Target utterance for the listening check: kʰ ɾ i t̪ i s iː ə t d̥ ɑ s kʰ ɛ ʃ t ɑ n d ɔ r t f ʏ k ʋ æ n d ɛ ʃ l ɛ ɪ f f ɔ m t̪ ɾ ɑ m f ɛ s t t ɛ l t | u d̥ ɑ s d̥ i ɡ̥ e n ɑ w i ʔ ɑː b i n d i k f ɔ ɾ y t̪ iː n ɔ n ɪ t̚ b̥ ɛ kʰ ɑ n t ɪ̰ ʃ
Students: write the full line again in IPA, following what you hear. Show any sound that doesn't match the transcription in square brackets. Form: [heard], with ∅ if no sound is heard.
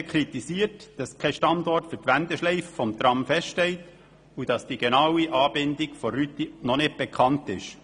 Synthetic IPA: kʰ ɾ i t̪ i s iː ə t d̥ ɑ s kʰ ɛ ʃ t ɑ n d ɔ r t f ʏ [t] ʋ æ n d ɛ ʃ l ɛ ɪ f f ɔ m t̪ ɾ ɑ m f ɛ s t t ɛ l t | u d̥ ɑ s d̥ i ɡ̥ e n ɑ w i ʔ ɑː b [ɪ] n d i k f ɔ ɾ y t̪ [i] n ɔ n ɪ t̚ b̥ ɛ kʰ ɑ n t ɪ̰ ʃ